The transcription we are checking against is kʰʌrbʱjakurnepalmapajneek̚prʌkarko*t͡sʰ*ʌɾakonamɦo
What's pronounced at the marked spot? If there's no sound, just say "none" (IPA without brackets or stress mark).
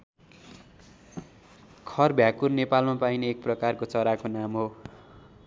t͡s